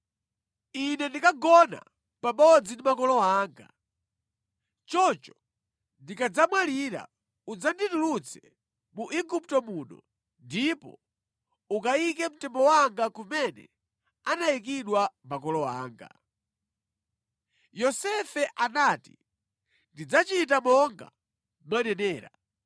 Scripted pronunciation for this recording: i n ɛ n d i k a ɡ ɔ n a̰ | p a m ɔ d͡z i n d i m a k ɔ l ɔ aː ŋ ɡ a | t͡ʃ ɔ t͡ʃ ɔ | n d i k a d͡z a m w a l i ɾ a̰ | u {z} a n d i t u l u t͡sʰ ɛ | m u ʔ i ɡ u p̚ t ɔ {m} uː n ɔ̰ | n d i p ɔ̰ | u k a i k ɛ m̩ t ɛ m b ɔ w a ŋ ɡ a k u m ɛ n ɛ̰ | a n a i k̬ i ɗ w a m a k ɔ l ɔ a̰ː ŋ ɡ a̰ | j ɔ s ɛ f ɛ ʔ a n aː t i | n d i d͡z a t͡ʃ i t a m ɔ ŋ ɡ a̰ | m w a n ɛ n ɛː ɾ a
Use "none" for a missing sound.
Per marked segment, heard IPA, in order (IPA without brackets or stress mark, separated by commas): d͡z, m